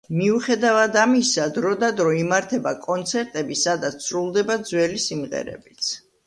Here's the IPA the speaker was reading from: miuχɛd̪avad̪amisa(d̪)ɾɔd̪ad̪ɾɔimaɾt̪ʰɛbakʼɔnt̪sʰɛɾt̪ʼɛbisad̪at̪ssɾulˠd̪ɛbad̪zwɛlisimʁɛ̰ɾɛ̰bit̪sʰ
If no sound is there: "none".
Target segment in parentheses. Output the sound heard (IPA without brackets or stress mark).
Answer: d̪